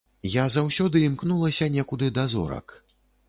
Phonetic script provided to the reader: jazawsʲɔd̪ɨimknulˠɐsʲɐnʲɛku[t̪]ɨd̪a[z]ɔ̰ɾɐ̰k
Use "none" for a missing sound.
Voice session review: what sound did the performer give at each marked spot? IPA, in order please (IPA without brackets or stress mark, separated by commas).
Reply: d̪, z